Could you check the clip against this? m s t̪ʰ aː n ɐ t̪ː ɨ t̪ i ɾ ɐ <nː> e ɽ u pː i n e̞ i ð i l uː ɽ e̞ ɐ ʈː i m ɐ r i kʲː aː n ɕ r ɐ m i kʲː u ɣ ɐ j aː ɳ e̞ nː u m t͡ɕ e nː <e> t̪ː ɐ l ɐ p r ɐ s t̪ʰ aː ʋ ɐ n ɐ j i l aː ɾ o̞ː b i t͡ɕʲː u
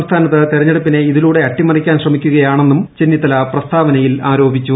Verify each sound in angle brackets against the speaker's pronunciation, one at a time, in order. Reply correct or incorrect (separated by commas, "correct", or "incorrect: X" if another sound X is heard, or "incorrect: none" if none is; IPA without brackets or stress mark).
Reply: incorrect: ɲː, incorrect: i